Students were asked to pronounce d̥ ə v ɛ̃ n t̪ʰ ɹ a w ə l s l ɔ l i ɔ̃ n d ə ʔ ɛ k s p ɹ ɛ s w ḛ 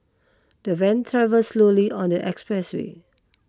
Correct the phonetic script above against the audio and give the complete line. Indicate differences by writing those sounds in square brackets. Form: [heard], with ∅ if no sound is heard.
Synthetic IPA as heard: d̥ ə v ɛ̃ n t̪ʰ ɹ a [v] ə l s l [o] l i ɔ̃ n d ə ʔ ɛ k s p ɹ ɛ s w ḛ

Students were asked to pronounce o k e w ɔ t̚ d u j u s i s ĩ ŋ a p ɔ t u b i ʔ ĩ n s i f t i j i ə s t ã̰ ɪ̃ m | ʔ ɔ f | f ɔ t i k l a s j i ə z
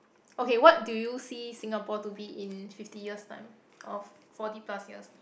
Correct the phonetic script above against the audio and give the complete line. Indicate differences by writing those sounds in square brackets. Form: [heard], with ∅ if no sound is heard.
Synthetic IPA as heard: o k e w ɔ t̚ d u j u s i s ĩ ŋ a p ɔ t u b i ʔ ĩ n [f] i f t i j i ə s t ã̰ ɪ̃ m | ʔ ɔ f | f ɔ t i [p] l a s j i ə [s]

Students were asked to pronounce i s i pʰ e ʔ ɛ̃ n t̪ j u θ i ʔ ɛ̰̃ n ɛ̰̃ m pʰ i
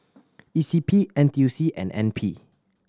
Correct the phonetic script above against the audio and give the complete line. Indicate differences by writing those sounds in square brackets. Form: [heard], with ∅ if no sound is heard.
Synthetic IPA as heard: i s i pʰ [i] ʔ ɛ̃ n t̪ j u [s] i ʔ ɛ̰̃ n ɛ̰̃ [n] pʰ i

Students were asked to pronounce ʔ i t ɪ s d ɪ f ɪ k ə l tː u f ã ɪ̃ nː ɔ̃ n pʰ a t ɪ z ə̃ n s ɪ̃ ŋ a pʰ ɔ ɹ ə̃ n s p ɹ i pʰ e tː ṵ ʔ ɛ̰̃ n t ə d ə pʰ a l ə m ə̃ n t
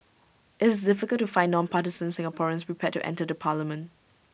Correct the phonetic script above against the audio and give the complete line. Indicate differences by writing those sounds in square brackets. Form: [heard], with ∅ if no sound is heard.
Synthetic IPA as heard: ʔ [ɪ] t ɪ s d ɪ f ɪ k ə l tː u f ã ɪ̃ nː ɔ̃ n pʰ a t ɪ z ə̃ n s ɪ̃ ŋ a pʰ ɔ ɹ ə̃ n s p ɹ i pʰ [ɛ] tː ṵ ʔ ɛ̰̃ n t ə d ə pʰ a l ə m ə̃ n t

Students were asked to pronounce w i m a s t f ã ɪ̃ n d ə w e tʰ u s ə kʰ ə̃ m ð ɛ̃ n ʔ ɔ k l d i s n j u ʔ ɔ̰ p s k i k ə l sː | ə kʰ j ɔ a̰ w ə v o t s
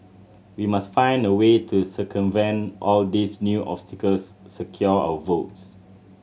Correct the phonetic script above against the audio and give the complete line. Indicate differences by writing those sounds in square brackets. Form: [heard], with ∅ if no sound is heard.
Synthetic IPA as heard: w i m a s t f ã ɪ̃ n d ə w e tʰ u s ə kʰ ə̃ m [v] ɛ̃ n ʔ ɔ [∅] l d i s n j u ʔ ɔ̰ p s [t] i k ə l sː | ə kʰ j ɔ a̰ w ə v o t s

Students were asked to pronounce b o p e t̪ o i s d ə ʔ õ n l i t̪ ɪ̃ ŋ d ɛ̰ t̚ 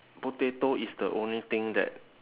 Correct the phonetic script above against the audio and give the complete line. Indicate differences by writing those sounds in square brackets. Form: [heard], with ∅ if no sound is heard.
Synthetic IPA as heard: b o [t] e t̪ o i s d ə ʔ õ n l i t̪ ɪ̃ ŋ d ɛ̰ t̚

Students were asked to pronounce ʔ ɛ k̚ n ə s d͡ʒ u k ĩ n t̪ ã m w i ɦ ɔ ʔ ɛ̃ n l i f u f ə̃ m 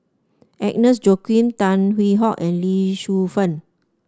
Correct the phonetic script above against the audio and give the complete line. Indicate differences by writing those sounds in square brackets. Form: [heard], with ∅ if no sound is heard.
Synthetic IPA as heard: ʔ ɛ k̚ n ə s d͡ʒ [o] k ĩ n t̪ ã [n] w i ɦ ɔ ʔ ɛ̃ n l i [ʃ] u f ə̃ [n]

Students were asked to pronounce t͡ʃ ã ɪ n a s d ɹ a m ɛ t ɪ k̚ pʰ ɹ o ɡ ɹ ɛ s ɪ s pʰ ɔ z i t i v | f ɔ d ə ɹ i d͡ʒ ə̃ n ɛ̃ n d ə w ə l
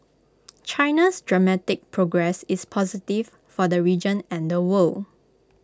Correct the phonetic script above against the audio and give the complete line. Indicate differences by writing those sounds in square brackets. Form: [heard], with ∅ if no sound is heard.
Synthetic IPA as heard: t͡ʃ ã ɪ n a s d ɹ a m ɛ t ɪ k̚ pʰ ɹ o ɡ ɹ ɛ s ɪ s pʰ ɔ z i t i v | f ɔ d ə ɹ i d͡ʒ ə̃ n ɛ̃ n d ə w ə l

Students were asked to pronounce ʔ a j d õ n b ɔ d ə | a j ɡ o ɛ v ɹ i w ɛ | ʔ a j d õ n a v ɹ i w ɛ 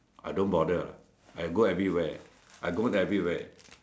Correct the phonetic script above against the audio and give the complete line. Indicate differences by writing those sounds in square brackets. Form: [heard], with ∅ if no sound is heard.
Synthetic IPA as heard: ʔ a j d õ n b ɔ d ə | a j ɡ o ɛ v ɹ i w ɛ | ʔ a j [ɡ] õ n [ɛ] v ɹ i w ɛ

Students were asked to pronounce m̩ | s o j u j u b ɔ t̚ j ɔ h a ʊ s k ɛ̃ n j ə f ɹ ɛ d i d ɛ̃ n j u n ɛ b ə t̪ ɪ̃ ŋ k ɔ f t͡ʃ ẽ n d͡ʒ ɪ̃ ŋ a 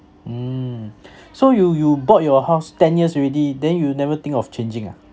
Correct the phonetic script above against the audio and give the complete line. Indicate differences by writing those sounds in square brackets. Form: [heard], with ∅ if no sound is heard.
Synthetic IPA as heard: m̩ | s o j u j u b ɔ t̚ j ɔ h a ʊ s [t] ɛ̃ n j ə [s] ɹ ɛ d i d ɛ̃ n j u n ɛ [v] ə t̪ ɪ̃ ŋ k ɔ f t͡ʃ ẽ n d͡ʒ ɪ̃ ŋ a

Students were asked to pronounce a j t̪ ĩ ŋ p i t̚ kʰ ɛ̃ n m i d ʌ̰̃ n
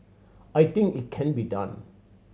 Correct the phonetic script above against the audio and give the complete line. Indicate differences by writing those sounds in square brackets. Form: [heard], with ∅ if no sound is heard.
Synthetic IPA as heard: a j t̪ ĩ ŋ [k] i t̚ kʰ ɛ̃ n [b] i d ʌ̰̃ n

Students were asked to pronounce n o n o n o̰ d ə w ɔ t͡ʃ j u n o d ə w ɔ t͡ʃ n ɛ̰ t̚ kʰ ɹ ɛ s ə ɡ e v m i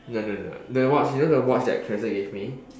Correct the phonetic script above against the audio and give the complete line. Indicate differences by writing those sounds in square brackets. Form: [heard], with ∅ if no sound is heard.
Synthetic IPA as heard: n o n o n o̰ d ə w ɔ t͡ʃ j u n o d ə w ɔ t͡ʃ [d] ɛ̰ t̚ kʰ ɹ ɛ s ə ɡ e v m i

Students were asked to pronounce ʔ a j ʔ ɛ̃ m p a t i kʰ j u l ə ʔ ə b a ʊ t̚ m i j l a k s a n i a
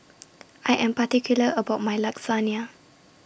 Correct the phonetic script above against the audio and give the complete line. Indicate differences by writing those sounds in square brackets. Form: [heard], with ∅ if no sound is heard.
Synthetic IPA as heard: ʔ a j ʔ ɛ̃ m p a t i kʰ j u l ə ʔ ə b a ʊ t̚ m [a] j l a k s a n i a

